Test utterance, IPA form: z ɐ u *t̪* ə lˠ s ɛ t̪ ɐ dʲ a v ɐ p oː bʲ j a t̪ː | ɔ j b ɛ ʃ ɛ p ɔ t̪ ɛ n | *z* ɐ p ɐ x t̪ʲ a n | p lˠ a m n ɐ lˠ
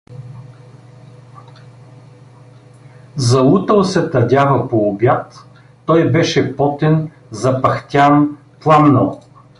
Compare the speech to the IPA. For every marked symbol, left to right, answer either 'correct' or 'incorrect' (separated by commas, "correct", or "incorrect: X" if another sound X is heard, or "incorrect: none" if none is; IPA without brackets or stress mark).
correct, correct